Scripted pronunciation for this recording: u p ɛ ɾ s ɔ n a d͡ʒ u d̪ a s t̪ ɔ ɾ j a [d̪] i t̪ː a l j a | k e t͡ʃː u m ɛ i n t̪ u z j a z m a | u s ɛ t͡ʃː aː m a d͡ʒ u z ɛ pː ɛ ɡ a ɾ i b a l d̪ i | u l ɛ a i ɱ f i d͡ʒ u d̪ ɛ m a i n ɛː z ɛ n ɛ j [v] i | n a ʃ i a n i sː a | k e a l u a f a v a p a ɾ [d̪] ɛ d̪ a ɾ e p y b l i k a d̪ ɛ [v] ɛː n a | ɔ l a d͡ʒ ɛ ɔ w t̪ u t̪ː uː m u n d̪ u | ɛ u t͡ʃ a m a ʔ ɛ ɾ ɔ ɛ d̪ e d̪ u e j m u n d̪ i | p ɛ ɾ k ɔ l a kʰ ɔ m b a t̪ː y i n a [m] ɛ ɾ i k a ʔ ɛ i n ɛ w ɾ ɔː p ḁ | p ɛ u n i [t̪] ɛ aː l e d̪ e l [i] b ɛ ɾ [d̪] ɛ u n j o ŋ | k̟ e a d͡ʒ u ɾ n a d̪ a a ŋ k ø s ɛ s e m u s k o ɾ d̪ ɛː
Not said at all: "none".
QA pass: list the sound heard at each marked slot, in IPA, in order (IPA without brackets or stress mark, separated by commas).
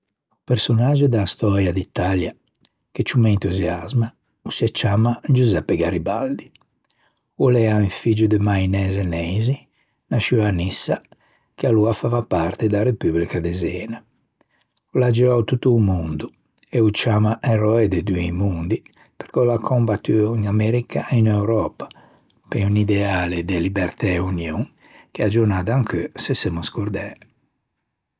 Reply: d̪, z, t̪, z, m, d̪, i, t̪